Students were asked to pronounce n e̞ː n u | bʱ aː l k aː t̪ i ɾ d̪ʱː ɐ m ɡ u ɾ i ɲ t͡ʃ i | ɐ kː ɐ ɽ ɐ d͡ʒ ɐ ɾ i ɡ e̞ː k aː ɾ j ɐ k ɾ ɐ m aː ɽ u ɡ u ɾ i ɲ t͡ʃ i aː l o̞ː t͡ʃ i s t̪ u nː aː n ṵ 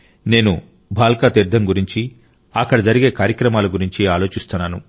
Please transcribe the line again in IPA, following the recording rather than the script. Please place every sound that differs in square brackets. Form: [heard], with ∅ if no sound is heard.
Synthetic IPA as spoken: n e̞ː n u | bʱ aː l k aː t̪ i ɾ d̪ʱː ɐ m ɡ u ɾ i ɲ t͡ʃ i | ɐ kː ɐ ɽ ɐ d͡ʒ ɐ ɾ i ɡ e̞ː k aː ɾ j ɐ k ɾ ɐ m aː [l] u ɡ u ɾ i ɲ t͡ʃ i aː l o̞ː t͡ʃ i s t̪ u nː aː n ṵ